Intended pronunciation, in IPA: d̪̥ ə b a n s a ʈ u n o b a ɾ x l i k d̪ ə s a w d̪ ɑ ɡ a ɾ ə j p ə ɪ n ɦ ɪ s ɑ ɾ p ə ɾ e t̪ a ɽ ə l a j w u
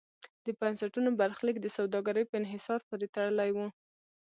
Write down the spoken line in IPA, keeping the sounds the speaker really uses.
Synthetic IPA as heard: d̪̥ ə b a n s a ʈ u n o b a ɾ x l i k d̪ ə s a w d̪ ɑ ɡ a ɾ ə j p ə ɪ n ɦ ɪ s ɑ ɾ p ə ɾ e t̪ a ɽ ə l a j w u